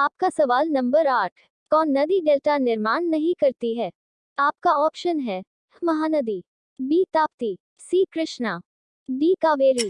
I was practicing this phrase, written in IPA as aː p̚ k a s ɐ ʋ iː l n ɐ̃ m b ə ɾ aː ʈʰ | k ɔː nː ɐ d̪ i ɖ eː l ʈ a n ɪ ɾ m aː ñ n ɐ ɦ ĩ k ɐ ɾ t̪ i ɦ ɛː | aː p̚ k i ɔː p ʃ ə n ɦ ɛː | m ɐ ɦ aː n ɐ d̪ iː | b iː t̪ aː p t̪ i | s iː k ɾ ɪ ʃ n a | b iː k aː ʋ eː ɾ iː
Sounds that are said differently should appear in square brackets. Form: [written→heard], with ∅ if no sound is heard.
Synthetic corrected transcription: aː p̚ k a s ɐ ʋ [iː→aː] l n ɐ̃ m b ə ɾ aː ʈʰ | k ɔː nː ɐ d̪ i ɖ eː l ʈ a n ɪ ɾ m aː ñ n ɐ ɦ ĩ k ɐ ɾ t̪ i ɦ ɛː | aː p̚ k [i→a] ɔː p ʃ ə n ɦ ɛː | m ɐ ɦ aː n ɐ d̪ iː | b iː t̪ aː p t̪ i | s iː k ɾ ɪ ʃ n a | b iː k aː ʋ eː ɾ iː